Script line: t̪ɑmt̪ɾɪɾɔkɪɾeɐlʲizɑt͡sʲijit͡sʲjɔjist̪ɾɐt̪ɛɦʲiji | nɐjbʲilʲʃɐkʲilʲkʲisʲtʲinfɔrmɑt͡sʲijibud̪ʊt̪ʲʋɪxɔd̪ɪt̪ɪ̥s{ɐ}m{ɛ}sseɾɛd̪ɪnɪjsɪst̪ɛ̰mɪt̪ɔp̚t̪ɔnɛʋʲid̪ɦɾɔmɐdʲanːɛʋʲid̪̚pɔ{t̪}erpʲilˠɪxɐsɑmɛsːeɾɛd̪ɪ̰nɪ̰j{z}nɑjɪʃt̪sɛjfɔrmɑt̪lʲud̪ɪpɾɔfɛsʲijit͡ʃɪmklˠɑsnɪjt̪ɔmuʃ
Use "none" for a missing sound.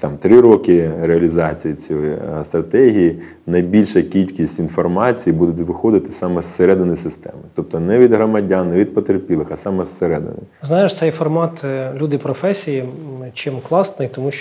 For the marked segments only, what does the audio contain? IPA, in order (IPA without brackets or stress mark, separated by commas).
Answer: ɑ, ɛ, t̪, z